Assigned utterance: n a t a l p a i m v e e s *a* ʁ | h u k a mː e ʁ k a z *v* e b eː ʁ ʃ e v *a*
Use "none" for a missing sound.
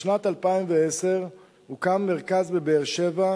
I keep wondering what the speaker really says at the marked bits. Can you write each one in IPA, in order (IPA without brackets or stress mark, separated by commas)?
e, b, a